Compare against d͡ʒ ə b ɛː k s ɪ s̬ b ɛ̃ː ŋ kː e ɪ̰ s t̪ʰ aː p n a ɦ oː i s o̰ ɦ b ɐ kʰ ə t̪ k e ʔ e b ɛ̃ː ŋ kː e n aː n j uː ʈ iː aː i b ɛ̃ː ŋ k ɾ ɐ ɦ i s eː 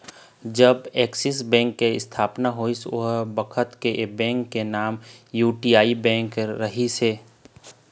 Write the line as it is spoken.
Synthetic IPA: d͡ʒ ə b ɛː k s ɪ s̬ b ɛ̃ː ŋ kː e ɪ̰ s t̪ʰ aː p n a ɦ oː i s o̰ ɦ b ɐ kʰ ə t̪ k e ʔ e b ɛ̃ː ŋ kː e n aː m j uː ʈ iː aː i b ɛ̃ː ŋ k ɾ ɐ ɦ i s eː